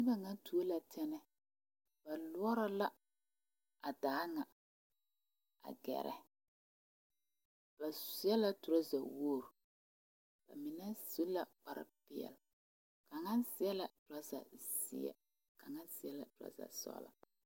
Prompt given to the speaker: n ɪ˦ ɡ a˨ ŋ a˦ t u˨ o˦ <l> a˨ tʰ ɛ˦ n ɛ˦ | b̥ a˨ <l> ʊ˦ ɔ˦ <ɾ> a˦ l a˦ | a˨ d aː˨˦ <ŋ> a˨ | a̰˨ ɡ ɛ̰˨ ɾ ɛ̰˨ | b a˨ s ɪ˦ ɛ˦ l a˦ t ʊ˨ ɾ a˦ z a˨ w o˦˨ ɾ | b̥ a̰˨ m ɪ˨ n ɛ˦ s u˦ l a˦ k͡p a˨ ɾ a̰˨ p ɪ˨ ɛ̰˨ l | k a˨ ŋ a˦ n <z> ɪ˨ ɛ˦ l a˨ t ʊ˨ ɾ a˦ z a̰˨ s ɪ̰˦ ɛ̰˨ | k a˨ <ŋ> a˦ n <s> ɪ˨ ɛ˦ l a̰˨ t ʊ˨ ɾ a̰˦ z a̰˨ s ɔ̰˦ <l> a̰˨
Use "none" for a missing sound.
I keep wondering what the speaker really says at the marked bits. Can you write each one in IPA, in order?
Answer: l, l, ɾ, ŋ, s, ŋ, s, l

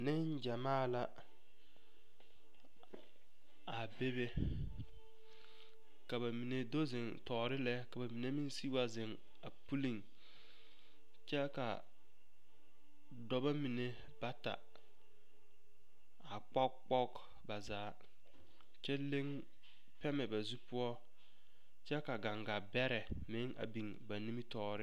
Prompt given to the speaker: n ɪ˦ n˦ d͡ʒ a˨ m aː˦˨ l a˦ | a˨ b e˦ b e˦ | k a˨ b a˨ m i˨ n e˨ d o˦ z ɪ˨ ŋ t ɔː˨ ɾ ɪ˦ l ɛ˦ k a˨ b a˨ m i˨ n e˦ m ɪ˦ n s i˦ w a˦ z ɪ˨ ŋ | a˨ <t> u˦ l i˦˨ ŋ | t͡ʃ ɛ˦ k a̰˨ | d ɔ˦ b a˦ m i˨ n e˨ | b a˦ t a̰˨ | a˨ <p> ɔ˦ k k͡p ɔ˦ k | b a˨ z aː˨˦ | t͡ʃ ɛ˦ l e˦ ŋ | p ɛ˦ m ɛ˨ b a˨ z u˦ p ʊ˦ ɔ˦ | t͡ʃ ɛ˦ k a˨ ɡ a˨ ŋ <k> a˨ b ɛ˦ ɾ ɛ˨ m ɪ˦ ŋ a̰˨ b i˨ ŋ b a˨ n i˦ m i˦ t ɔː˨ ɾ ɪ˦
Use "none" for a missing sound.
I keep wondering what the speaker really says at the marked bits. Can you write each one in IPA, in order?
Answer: p, k͡p, ɡ

